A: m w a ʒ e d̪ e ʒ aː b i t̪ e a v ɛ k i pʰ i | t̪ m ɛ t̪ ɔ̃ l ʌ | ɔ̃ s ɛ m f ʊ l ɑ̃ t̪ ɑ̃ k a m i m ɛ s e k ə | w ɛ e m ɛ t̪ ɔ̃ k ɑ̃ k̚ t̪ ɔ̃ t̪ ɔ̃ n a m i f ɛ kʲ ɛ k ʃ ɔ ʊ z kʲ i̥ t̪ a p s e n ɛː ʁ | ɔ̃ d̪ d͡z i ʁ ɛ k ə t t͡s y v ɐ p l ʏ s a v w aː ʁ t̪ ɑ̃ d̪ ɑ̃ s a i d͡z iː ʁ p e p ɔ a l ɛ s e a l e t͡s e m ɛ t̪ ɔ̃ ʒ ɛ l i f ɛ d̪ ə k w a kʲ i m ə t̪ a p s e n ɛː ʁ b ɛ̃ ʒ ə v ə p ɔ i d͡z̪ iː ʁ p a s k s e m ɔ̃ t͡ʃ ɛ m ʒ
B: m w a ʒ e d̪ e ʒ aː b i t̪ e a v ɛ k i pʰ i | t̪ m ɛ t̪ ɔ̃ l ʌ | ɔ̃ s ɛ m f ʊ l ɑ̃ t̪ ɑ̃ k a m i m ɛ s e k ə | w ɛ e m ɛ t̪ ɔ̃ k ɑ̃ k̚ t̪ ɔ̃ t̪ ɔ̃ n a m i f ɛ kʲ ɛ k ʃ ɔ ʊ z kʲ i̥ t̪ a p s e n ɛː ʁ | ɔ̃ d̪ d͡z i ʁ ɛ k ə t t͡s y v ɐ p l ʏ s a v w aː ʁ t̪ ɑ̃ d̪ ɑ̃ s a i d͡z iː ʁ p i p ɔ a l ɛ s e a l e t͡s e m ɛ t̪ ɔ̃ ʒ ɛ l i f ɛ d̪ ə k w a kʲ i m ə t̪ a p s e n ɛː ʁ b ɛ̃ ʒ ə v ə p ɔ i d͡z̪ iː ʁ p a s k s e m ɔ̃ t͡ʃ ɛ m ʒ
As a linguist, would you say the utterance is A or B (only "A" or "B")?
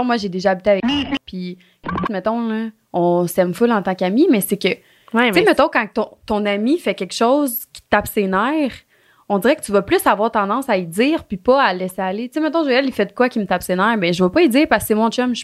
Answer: B